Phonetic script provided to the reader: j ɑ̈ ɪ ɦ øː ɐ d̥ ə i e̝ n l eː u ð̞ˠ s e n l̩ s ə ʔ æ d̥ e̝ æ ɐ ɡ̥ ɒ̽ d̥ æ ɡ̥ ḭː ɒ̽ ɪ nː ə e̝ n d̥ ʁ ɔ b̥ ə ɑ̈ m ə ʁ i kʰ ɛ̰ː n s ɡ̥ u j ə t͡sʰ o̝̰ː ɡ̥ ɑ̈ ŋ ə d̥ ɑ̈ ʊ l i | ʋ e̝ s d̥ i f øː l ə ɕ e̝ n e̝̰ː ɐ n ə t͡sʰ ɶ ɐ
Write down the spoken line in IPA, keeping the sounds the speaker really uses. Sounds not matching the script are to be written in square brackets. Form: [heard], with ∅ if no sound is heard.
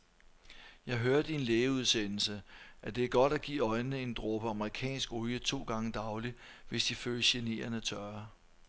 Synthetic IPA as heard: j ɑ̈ ɪ ɦ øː ɐ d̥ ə i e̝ n l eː u ð̞ˠ s e n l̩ s ə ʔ æ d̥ e̝ æ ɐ ɡ̥ ɒ̽ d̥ æ ɡ̥ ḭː ɒ̽ ɪ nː ə e̝ n d̥ ʁ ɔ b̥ ə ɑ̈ m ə ʁ i kʰ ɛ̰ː n s ɡ̥ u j ə t͡sʰ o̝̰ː ɡ̥ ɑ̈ ŋ ə d̥ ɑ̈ ʊ l i | ʋ e̝ s d̥ i f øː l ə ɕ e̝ n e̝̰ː ɐ n ə t͡sʰ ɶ ɐ

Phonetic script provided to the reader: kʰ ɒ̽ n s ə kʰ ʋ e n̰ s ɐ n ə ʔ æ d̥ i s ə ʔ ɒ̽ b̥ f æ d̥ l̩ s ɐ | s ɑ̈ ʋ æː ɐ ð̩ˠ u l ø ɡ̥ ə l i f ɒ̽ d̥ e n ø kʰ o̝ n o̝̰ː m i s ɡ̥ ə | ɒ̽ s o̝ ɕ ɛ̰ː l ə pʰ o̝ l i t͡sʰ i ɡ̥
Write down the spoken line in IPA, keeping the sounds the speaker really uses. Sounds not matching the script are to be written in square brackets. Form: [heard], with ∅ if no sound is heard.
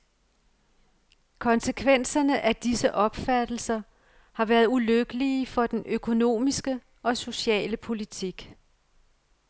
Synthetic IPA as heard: kʰ ɒ̽ n s ə kʰ ʋ e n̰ s ɐ n ə ʔ æ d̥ i s ə ʔ ɒ̽ b̥ f æ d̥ l̩ s ɐ | [h] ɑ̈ ʋ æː ɐ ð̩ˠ u l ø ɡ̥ ə l i f ɒ̽ d̥ e n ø kʰ o̝ n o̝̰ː m i s ɡ̥ ə | ɒ̽ s o̝ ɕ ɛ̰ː l ə pʰ o̝ l i t͡sʰ i ɡ̥

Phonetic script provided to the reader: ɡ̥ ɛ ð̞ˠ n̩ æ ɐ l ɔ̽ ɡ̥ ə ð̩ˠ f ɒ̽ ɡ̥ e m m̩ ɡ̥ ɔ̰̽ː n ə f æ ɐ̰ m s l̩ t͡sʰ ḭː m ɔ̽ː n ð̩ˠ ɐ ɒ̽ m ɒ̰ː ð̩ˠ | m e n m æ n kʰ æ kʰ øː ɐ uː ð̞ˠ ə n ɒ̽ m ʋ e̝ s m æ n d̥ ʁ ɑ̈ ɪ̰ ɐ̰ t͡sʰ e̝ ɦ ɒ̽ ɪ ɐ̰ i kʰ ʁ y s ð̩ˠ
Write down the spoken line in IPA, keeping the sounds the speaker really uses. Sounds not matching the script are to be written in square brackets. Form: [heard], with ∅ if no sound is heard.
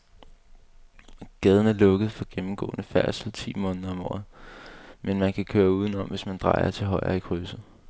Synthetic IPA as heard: ɡ̥ ɛ ð̞ˠ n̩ æ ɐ l ɔ̽ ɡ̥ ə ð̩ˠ f ɒ̽ ɡ̥ e m m̩ ɡ̥ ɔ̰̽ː n ə f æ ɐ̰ [∅] s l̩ t͡sʰ ḭː m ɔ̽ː n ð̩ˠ ɐ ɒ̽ m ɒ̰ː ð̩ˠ | m e n m æ n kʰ æ kʰ øː ɐ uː ð̞ˠ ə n ɒ̽ m ʋ e̝ s m æ n d̥ ʁ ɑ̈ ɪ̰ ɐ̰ t͡sʰ e̝ ɦ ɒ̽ ɪ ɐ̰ i kʰ ʁ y s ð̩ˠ

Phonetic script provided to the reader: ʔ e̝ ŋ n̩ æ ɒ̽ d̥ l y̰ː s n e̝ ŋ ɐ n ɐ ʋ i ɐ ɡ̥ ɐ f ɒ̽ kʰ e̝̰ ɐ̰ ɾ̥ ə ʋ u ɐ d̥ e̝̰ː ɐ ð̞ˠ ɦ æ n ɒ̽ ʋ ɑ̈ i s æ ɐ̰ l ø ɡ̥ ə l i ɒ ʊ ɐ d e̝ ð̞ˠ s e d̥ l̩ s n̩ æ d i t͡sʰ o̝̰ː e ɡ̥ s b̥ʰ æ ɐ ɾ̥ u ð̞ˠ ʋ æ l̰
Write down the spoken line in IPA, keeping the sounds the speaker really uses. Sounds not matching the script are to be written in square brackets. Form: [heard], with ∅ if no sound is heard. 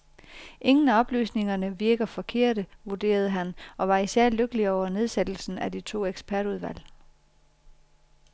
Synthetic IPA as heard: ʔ e̝ ŋ n̩ æ ɒ̽ [b̥] l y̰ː s n e̝ ŋ ɐ n [ə] ʋ i ɐ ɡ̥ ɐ f ɒ̽ kʰ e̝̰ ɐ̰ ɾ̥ ə ʋ u ɐ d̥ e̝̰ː ɐ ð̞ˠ ɦ æ n ɒ̽ ʋ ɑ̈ i s æ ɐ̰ l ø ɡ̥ ə l i ɒ ʊ ɐ [n] e̝ ð̞ˠ s e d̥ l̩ s n̩ æ d i t͡sʰ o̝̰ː e ɡ̥ s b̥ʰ æ ɐ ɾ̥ u ð̞ˠ ʋ æ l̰

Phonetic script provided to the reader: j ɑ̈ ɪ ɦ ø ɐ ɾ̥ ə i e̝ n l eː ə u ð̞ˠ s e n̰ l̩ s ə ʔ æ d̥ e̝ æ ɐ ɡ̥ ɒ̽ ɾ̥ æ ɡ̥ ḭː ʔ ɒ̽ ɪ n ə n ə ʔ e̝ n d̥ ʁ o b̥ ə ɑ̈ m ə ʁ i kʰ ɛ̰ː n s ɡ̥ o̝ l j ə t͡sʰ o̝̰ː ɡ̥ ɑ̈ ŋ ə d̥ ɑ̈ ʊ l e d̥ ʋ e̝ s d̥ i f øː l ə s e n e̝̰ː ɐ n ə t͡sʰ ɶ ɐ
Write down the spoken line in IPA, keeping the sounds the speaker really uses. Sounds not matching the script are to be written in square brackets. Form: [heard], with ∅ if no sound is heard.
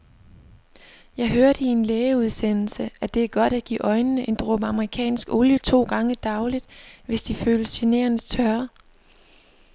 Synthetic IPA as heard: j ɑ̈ ɪ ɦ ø ɐ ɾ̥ ə i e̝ n l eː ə u ð̞ˠ s e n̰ l̩ s ə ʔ æ d̥ e̝ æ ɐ ɡ̥ ɒ̽ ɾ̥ æ ɡ̥ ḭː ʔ ɒ̽ ɪ n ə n ə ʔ e̝ n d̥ ʁ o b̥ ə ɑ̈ m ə ʁ i kʰ ɛ̰ː n s ɡ̥ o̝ l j ə t͡sʰ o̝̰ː ɡ̥ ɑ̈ ŋ ə d̥ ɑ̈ ʊ l [i] d̥ ʋ e̝ s d̥ i f øː l ə s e n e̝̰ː ɐ n ə t͡sʰ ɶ ɐ

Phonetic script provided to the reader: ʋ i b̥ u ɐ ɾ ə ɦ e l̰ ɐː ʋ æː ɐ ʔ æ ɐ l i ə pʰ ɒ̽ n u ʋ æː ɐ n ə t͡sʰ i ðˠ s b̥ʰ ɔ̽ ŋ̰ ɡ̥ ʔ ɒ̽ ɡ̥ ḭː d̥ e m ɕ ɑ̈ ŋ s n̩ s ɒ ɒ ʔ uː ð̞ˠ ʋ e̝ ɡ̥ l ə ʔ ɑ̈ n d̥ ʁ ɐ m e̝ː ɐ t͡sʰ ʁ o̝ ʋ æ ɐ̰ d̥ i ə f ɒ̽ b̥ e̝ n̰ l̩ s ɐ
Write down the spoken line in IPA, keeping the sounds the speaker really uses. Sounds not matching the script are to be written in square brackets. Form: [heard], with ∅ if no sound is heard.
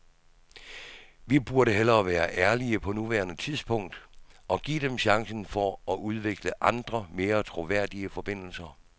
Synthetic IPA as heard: ʋ i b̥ u ɐ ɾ ə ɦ e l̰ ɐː ʋ æː ɐ ʔ æ ɐ l i ə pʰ ɒ̽ n u ʋ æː ɐ n ə t͡sʰ i ðˠ s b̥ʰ ɔ̽ ŋ̰ [d̥] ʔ ɒ̽ ɡ̥ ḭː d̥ e m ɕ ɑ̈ ŋ s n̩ [f] ɒ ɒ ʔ [u] ð̞ˠ ʋ e̝ ɡ̥ l ə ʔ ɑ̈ n d̥ ʁ ɐ m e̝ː ɐ t͡sʰ ʁ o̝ ʋ æ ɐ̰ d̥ i ə f ɒ̽ b̥ e̝ n̰ l̩ s ɐ

